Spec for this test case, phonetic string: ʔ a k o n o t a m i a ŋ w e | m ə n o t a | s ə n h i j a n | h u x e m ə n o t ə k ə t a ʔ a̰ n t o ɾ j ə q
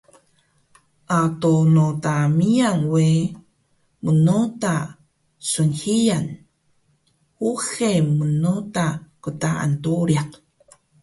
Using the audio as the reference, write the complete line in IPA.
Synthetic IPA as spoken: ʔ a t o n o t a m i a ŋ w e | m ə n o t a | s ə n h i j a n | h u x e m ə n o t a k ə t a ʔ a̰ n t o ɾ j a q